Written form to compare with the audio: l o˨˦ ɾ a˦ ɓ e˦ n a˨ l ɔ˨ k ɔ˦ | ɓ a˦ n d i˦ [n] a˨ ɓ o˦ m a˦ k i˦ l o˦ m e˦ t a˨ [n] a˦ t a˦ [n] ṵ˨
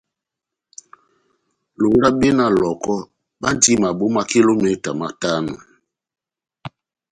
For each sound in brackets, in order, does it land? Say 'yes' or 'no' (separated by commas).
no, no, yes